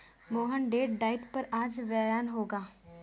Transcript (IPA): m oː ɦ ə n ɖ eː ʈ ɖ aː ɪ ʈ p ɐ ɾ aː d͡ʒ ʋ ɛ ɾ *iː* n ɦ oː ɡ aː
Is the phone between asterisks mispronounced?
yes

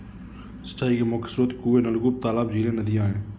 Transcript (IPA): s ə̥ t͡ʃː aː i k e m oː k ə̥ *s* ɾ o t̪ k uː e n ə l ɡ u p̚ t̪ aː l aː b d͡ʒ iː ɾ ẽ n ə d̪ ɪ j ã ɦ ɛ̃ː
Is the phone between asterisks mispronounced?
no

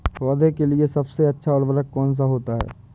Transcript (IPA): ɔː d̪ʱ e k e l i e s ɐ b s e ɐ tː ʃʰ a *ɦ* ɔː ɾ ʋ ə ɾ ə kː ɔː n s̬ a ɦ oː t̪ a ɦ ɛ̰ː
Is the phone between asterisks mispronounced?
yes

